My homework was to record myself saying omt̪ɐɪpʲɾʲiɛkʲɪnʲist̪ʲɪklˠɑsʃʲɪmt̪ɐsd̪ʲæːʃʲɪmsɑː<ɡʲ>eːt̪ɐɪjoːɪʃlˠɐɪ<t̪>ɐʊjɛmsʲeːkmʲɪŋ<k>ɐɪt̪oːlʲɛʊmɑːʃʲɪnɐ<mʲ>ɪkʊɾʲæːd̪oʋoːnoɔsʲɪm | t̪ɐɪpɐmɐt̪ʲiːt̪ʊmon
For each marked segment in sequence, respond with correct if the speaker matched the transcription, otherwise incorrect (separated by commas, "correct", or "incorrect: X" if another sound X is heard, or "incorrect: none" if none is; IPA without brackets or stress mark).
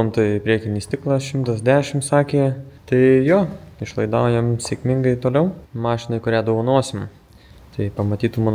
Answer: incorrect: kʲ, incorrect: d̪, incorrect: ɡ, incorrect: none